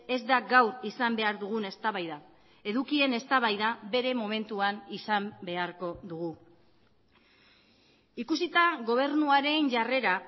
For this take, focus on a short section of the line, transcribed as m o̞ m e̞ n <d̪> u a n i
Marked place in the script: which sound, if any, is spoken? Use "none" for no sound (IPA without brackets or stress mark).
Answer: t̪